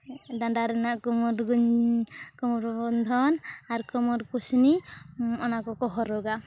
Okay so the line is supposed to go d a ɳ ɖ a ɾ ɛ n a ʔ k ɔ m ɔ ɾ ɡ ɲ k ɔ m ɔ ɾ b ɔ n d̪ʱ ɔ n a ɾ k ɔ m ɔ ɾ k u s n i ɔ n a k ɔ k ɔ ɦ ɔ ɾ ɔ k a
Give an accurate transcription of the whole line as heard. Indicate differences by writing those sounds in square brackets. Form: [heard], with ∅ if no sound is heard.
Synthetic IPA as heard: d a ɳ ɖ a ɾ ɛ n a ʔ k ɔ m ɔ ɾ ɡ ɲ k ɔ m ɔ ɾ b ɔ n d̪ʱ ɔ n a ɾ k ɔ m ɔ ɾ k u s n i ɔ n a k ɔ k ɔ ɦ ɔ ɾ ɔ [ɡ] a